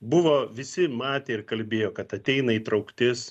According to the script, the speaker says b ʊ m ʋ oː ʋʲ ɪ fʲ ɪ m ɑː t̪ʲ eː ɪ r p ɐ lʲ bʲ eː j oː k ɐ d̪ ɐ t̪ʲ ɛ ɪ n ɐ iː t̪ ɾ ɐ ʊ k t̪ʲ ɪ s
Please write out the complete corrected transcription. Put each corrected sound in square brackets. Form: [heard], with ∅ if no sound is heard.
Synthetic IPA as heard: b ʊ [∅] ʋ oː ʋʲ ɪ [sʲ] ɪ m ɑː t̪ʲ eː ɪ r [k] ɐ lʲ bʲ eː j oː k ɐ [t̪] ɐ t̪ʲ ɛ ɪ n ɐ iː t̪ ɾ ɐ ʊ k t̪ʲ ɪ s